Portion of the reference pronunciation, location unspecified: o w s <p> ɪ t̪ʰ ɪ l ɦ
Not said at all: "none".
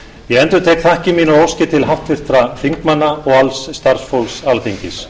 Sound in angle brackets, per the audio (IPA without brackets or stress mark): c